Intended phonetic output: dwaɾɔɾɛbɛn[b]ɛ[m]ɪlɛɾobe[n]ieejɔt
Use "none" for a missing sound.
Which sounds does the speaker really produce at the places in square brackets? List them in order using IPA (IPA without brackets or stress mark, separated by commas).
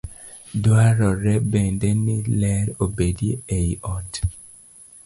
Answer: d, n, d